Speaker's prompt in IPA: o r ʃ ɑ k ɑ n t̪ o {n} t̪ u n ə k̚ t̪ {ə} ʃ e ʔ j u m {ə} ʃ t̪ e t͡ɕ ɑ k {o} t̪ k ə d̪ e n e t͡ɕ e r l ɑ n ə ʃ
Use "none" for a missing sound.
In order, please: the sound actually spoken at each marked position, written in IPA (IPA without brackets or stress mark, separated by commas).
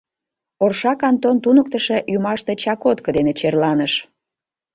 n, ə, ɑ, o